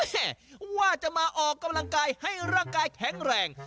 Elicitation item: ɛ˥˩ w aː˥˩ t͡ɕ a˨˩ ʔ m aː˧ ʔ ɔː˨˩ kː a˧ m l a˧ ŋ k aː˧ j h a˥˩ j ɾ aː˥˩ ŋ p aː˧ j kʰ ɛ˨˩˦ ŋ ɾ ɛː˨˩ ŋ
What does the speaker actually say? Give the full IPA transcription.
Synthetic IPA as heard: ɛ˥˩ w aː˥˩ t͡ɕ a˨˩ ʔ m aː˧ ʔ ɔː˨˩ kː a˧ m l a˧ ŋ k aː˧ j h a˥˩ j ɾ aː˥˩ ŋ k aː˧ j kʰ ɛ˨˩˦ ŋ ɾ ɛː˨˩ ŋ

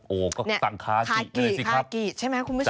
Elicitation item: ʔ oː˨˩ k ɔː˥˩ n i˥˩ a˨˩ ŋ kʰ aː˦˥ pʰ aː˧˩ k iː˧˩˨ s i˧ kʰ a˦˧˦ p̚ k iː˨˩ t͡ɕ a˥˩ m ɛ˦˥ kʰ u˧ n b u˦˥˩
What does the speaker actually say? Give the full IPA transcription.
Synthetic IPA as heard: ʔ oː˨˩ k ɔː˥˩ n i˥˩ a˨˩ ŋ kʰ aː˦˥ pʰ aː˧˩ k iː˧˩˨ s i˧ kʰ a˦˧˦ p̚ k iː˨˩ t͡ɕʰ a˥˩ m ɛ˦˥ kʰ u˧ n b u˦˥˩

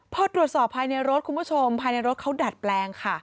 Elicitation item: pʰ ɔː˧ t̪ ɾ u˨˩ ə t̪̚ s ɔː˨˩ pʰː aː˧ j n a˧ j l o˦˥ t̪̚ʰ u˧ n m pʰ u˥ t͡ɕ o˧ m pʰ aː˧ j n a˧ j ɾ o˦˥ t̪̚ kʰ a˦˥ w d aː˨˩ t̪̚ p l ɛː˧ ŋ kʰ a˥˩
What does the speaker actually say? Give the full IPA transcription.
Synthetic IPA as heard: pʰ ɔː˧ t̪ ɾ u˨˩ ə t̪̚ s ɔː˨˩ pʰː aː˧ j n a˧ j ɾ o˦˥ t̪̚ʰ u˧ n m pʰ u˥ t͡ɕʰ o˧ m pʰ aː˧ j n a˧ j ɾ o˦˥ t̪̚ kʰ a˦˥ w d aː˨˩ t̪̚ p l ɛː˧ ŋ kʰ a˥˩

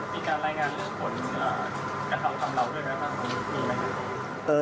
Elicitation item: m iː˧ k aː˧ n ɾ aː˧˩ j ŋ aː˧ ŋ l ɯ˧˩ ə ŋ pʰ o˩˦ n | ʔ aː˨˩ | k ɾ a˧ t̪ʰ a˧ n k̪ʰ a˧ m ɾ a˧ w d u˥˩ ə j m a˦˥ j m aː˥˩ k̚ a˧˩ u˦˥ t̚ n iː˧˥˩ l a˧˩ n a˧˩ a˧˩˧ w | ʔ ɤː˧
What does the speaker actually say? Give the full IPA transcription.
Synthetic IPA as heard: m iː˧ k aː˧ n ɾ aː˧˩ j ŋ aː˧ n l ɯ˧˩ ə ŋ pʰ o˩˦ n | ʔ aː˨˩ | k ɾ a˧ t̪ʰ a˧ m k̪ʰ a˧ m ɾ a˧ w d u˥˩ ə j m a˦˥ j m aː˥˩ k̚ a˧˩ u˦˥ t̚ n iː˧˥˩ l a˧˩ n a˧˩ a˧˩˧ | ʔ ɤː˧

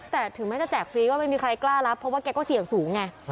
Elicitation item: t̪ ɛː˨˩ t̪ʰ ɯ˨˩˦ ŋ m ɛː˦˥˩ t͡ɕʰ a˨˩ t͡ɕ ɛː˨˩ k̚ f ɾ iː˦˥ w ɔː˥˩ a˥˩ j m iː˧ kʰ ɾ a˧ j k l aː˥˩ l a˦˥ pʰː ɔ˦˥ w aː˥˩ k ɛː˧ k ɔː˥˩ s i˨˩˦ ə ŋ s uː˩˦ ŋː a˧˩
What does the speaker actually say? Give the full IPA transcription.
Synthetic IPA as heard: t̪ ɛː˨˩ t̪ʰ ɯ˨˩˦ ŋ m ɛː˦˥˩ t͡ɕ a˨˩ t͡ɕ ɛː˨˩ k̚ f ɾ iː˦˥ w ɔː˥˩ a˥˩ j m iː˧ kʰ ɾ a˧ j k l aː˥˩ l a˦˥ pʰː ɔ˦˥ w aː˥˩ k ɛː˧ k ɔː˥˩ s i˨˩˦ ə ŋ s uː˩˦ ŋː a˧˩

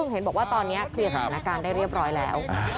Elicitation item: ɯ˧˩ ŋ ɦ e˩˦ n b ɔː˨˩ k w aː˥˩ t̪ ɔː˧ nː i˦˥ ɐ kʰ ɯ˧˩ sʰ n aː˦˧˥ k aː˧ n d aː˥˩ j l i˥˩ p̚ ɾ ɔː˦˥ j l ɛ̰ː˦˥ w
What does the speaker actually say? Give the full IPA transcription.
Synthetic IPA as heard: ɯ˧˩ ŋ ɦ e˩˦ n b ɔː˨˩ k w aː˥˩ t̪ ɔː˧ nː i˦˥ ɐ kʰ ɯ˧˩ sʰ n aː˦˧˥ k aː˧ n d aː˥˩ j ɾ i˥˩ p̚ ɾ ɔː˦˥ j l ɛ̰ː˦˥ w

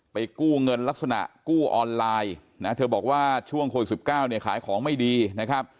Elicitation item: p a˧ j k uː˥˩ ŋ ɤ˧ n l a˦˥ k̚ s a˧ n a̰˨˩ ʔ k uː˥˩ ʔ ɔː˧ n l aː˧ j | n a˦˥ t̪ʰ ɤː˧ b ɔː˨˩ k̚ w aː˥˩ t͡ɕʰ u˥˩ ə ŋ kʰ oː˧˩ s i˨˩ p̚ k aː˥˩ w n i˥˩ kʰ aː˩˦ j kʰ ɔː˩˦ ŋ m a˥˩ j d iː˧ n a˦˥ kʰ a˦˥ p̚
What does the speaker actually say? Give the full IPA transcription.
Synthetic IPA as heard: p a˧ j k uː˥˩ ŋ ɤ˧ n l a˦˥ k̚ s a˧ n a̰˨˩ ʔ k uː˥˩ ʔ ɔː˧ n l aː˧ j | n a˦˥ t̪ʰ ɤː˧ b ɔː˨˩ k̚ w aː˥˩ t͡ɕʰ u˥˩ ə ŋ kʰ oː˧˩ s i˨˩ p̚ k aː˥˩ w n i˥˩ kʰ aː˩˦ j kʰ ɔː˩˦ ŋ m a˥˩ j d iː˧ n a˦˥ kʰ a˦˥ p̚

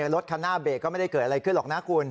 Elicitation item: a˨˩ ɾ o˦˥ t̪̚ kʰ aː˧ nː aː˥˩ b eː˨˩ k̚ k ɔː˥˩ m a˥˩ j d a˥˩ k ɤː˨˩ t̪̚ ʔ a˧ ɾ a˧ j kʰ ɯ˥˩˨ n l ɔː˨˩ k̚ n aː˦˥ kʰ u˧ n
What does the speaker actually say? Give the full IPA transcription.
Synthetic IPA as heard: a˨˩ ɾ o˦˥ t̪̚ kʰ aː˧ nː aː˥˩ b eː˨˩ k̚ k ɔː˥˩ m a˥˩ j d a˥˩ k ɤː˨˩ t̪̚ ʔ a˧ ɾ a˧ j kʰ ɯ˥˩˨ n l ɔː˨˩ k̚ n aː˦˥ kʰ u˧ n

